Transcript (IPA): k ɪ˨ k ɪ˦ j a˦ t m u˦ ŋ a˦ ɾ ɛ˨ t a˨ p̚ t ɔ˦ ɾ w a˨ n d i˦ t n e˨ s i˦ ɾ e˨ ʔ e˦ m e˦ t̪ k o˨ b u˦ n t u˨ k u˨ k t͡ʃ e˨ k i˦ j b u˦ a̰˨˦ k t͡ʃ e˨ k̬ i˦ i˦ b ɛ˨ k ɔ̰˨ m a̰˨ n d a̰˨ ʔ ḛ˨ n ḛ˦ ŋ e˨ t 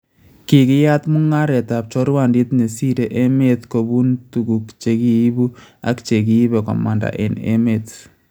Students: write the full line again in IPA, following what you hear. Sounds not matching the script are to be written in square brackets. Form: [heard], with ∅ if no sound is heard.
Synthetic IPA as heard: k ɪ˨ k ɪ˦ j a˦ t m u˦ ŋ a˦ ɾ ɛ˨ t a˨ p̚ [t͡ʃ] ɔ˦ ɾ w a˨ n d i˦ t n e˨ s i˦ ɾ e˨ ʔ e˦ m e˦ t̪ k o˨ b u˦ n t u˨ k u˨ k t͡ʃ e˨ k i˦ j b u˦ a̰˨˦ k t͡ʃ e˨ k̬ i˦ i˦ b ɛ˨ k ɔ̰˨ m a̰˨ n d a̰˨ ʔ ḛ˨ n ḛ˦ [m] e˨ t